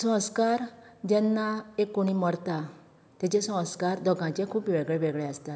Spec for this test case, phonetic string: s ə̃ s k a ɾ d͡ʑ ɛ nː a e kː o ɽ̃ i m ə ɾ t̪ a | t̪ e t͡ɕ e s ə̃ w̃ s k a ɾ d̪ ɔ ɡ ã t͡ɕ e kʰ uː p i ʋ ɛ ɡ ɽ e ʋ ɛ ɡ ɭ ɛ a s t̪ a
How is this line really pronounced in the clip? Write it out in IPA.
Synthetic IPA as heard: s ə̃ s k a ɾ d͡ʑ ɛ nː a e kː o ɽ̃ i m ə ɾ t̪ a | t̪ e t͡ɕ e s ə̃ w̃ s k a ɾ d̪ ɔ ɡ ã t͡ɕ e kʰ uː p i ʋ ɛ ɡ ɭ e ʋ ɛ ɡ ɭ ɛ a s t̪ a